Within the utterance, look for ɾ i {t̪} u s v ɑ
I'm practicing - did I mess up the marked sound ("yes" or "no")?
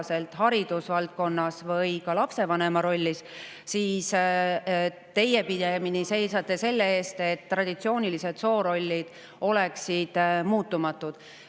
yes